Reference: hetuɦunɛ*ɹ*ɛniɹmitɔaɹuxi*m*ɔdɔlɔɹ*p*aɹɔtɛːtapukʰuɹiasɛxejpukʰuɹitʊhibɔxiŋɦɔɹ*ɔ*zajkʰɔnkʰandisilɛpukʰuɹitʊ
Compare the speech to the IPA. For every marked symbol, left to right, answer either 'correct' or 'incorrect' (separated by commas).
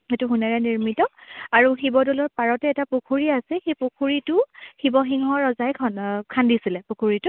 correct, incorrect, correct, correct